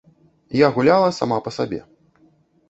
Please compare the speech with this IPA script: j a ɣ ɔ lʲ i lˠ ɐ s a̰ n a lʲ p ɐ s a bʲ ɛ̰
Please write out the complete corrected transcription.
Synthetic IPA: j a ɣ u lʲ a lˠ ɐ s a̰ m a p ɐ s a bʲ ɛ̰